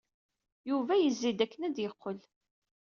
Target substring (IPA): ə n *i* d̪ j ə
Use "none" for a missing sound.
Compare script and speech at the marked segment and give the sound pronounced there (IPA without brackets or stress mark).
æ